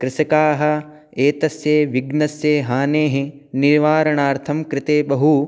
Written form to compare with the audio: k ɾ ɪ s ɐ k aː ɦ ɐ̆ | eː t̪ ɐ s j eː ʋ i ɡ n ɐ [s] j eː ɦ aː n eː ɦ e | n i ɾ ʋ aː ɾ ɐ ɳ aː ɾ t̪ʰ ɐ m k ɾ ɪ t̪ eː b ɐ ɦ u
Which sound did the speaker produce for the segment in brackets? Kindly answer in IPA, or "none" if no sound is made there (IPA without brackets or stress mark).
s